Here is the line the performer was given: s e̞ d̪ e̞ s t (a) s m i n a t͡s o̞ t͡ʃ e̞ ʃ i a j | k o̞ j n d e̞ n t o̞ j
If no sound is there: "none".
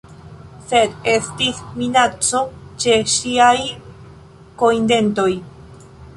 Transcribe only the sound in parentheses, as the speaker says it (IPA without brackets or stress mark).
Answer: i